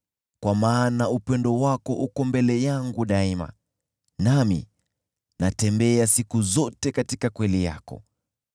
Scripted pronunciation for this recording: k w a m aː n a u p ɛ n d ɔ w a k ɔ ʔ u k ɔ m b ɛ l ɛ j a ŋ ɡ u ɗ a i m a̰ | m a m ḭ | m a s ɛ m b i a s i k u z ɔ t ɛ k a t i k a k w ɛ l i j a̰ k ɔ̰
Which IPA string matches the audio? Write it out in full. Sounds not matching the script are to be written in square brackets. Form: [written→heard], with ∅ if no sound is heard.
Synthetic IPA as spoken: k w a m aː n a u p ɛ n d ɔ w a k ɔ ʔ u k ɔ m b ɛ l ɛ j a ŋ ɡ u ɗ a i m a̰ | [m→n] a m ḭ | [m→n] a [s→t] ɛ m b [i→ɛ] a s i k u z ɔ t ɛ k a t i k a k w ɛ l i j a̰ k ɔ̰